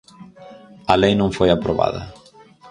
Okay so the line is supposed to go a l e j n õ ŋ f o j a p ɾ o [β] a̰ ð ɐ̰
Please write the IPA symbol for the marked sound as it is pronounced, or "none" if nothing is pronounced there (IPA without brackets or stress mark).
β